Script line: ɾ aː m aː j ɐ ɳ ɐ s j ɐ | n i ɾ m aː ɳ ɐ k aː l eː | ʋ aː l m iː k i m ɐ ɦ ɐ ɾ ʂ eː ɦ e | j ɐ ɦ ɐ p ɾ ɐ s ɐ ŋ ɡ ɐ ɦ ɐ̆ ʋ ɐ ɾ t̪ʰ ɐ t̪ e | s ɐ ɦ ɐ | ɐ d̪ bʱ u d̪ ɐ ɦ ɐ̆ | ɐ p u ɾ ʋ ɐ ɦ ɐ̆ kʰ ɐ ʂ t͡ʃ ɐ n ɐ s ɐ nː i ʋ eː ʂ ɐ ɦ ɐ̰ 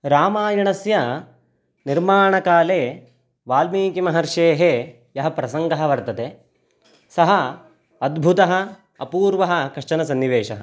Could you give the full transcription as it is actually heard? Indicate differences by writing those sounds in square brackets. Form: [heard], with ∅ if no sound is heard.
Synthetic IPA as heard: ɾ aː m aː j ɐ ɳ ɐ s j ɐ | n i ɾ m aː ɳ ɐ k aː l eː | ʋ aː l m iː k i m ɐ ɦ ɐ ɾ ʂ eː ɦ e | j ɐ ɦ ɐ p ɾ ɐ s ɐ ŋ ɡ ɐ ɦ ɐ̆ ʋ ɐ ɾ [t̪] ɐ t̪ e | s ɐ ɦ ɐ | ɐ d̪ bʱ u [t̪] ɐ ɦ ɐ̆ | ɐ p [uː] ɾ ʋ ɐ ɦ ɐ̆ [k] ɐ ʂ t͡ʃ ɐ n ɐ s ɐ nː i ʋ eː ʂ ɐ ɦ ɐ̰